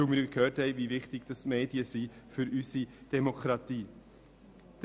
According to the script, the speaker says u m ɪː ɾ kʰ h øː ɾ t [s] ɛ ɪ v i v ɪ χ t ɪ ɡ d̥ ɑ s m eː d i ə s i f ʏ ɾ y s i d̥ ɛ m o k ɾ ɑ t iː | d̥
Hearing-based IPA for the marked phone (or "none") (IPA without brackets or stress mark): h